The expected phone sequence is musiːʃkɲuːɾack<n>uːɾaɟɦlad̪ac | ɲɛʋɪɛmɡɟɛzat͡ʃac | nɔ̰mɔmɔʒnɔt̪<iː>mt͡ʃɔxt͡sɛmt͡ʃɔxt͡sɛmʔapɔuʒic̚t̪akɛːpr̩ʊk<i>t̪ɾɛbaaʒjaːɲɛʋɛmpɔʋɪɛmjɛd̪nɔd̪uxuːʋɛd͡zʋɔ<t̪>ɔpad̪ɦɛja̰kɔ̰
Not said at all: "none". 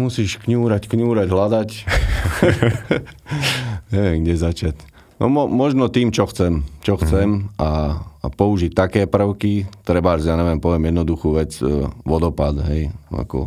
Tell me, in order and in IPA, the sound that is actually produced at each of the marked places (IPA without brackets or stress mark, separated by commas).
ɲ, iː, i, d̪